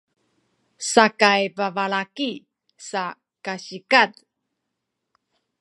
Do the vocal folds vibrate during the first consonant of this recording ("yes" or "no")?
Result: no